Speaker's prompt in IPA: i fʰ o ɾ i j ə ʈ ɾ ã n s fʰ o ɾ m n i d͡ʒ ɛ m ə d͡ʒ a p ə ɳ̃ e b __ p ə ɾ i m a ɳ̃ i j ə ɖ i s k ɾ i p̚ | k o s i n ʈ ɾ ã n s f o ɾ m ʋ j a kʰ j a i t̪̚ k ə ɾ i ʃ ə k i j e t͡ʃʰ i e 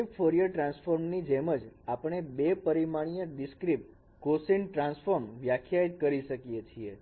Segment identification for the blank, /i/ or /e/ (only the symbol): e